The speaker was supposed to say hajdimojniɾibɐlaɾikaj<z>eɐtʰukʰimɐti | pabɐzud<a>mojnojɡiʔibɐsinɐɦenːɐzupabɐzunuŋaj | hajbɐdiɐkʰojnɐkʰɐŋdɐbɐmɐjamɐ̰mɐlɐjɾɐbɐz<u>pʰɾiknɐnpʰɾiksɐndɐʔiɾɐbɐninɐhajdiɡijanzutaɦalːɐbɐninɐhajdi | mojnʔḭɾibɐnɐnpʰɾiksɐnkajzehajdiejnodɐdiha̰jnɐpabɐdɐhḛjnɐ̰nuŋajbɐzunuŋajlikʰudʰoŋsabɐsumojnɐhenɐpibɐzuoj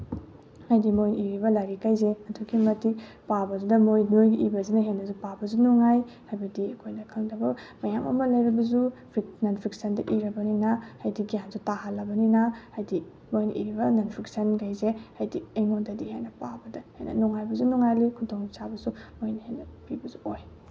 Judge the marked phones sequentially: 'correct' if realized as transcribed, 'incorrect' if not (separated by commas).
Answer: correct, incorrect, correct